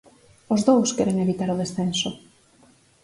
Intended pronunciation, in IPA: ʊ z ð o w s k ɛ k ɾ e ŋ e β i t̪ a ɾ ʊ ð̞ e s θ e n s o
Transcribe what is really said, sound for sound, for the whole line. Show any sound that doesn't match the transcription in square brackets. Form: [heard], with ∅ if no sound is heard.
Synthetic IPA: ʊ z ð o w s k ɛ [∅] ɾ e ŋ e β i t̪ a ɾ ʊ ð̞ e s θ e n s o